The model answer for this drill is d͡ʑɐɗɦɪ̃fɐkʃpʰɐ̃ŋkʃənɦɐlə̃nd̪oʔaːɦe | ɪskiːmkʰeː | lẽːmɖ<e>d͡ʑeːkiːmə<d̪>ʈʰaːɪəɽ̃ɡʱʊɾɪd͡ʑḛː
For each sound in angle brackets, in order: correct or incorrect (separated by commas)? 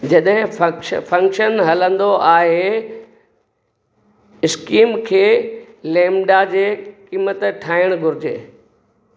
incorrect, incorrect